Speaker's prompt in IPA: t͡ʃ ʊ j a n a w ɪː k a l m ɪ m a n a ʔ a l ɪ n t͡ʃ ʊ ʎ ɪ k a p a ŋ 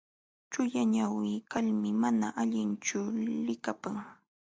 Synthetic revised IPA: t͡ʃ ʊ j a ɲ a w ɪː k a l m ɪ m a n a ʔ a ʎ ɪ n t͡ʃ ʊ l ɪ k a p a ŋ